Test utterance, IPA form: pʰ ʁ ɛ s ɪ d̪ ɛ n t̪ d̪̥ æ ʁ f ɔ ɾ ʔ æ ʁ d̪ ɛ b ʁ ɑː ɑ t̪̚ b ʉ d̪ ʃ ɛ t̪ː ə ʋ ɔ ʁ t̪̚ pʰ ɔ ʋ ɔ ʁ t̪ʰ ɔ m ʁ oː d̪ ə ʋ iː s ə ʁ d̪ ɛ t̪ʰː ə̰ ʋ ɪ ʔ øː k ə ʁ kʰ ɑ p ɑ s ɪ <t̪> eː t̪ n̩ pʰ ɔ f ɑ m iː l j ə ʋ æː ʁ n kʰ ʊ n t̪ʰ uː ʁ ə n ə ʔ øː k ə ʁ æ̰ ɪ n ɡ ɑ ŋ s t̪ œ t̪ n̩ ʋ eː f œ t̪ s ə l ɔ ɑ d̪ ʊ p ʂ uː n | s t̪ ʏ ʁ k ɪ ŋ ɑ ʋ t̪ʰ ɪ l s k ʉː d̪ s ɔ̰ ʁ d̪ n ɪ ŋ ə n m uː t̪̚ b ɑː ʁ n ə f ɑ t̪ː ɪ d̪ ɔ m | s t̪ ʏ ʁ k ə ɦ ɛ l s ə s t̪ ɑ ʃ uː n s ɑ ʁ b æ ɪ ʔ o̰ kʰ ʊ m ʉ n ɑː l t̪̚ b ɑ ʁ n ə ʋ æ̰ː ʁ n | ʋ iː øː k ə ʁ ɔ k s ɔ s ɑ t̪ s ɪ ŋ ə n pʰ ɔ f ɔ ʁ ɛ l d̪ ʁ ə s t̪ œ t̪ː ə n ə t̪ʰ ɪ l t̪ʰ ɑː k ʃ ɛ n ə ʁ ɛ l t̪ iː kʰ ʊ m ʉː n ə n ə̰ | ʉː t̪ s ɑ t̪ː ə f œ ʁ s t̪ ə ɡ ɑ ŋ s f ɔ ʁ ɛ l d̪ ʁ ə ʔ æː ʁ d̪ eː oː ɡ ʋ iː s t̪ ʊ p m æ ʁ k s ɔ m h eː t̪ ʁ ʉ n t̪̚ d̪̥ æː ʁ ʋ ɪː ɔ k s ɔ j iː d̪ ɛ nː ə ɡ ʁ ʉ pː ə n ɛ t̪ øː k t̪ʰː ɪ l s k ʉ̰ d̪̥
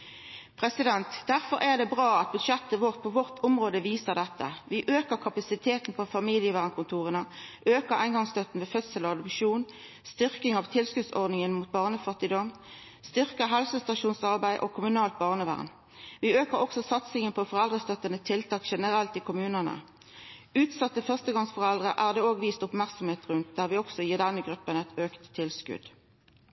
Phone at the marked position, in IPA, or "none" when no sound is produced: t̪ʰ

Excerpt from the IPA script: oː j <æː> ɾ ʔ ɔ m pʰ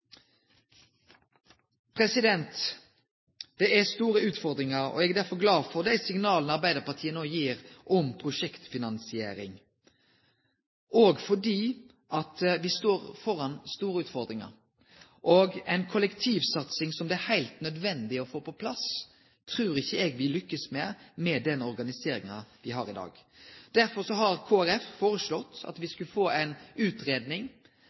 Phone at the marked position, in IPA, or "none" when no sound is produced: iː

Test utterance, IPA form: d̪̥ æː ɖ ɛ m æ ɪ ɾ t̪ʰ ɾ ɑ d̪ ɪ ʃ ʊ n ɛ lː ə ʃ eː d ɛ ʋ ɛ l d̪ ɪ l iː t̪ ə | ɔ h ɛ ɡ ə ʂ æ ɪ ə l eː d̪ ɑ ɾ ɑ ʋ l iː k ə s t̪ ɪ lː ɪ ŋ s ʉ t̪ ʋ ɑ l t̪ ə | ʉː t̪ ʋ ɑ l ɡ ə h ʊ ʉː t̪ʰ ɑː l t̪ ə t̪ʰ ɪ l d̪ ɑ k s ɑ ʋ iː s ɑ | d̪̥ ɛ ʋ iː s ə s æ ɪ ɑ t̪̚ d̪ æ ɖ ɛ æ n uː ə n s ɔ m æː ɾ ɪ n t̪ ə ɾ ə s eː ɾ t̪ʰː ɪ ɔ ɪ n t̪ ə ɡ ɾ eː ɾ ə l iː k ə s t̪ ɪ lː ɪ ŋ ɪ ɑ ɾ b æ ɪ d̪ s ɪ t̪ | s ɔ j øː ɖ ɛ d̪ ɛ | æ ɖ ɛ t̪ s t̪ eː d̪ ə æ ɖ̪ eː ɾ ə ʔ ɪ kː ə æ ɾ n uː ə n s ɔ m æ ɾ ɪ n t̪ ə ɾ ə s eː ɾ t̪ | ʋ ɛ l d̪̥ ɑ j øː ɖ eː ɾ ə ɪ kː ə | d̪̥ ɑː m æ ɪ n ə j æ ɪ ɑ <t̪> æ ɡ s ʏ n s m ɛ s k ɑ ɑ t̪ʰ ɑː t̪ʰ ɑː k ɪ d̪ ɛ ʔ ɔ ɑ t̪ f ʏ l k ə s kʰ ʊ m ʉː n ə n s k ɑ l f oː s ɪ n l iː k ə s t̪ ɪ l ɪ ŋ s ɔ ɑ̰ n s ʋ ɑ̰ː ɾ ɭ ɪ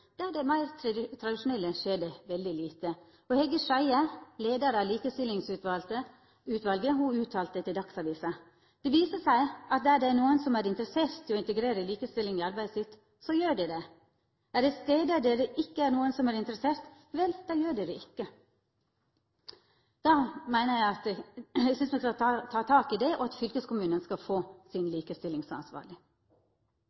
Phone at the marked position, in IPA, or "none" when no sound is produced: t̪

